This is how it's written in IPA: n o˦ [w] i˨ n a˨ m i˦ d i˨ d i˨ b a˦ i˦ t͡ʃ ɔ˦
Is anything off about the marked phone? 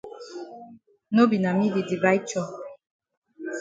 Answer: yes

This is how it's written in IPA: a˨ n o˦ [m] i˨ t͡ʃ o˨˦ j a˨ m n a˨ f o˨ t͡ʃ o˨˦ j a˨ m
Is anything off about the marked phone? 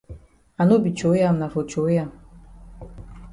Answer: yes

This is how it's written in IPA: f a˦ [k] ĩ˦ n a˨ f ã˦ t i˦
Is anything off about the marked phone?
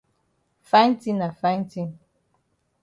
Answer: yes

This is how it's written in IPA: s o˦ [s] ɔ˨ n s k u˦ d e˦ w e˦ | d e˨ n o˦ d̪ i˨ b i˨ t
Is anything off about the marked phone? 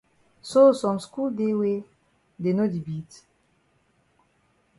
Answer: no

